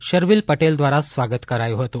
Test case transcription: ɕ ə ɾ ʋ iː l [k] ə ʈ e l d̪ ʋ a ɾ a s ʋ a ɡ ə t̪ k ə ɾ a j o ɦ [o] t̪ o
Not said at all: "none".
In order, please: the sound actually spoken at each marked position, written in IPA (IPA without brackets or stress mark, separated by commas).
p, o